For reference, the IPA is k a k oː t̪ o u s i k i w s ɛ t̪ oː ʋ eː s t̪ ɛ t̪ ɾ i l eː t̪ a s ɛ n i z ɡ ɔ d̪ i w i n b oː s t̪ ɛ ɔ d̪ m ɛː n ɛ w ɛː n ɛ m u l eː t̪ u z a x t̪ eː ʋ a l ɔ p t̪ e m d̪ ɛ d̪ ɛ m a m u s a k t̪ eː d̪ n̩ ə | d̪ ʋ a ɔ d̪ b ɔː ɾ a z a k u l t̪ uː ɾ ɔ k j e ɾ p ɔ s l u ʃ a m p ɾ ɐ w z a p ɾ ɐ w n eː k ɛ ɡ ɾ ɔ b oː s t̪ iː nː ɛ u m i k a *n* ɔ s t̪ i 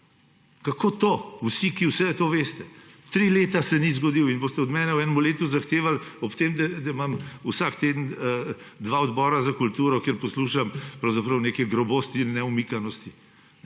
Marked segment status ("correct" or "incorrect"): correct